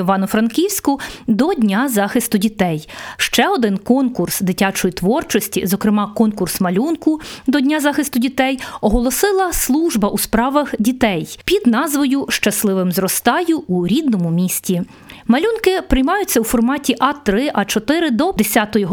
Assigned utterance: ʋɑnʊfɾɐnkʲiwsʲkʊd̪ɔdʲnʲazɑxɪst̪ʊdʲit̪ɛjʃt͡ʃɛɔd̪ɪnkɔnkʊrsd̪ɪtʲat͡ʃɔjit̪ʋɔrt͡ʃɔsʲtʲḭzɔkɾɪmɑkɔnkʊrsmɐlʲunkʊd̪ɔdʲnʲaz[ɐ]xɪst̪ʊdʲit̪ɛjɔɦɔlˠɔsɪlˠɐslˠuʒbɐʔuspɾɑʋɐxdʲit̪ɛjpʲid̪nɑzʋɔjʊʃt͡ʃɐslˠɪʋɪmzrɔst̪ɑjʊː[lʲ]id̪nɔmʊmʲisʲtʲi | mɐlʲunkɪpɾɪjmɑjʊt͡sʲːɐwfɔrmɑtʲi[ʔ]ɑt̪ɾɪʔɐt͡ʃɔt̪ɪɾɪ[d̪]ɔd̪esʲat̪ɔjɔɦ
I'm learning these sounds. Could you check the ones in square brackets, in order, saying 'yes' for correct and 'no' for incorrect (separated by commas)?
no, no, yes, yes